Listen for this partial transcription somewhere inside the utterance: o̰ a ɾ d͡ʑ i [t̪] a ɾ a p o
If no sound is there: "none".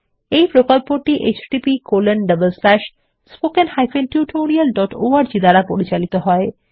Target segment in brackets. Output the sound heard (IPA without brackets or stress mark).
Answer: d̪